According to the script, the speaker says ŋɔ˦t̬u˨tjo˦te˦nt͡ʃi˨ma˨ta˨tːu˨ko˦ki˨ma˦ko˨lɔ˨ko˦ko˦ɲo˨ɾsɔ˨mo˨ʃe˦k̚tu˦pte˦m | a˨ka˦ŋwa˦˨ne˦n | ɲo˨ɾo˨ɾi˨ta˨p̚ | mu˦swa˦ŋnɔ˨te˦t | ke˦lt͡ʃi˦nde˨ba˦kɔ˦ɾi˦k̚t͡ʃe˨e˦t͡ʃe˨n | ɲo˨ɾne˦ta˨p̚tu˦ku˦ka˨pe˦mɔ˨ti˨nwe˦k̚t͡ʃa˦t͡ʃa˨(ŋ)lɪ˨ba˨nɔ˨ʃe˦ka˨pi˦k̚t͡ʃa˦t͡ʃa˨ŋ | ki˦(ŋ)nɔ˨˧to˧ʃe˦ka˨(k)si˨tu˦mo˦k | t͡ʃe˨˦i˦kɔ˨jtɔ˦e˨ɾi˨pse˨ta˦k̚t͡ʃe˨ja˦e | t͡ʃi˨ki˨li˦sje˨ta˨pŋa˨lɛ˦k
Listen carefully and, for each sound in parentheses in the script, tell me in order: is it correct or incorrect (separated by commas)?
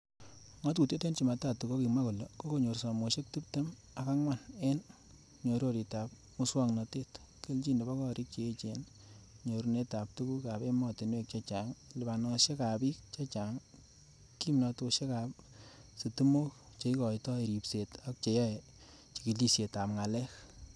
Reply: correct, incorrect, incorrect